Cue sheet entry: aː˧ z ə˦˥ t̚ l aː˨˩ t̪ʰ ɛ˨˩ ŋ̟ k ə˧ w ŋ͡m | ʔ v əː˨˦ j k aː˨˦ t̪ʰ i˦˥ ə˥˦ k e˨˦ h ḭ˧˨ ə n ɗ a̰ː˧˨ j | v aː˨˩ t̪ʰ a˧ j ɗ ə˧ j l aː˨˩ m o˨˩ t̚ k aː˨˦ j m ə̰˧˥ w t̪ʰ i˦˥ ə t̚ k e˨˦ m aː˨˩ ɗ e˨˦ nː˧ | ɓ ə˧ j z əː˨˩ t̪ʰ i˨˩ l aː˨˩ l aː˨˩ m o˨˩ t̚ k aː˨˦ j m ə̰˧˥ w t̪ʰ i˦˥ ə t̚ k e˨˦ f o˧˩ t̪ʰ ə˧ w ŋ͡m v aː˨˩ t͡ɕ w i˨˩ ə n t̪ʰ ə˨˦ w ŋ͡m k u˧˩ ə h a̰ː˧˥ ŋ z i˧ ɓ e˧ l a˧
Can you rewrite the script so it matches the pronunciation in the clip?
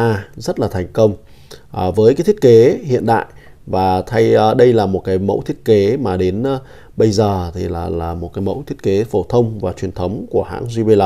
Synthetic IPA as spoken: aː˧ z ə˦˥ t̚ l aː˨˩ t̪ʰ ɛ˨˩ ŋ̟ k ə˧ w ŋ͡m | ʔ v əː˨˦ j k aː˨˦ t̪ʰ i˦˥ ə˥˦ k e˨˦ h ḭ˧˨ ə n ɗ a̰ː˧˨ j | v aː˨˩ t̪ʰ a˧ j ɗ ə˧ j l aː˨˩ m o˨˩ t̚ k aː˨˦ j m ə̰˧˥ w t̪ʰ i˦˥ ə t̚ k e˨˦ m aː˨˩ ɗ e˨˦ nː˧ | ɓ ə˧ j z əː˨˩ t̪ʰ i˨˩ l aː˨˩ l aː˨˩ m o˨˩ t̚ k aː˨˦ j m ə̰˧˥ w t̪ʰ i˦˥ ə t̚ k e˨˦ f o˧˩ t̪ʰ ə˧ w ŋ͡m v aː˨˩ t͡ɕ w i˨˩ ə n t̪ʰ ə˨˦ w ŋ͡m k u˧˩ ə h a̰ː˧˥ ŋ z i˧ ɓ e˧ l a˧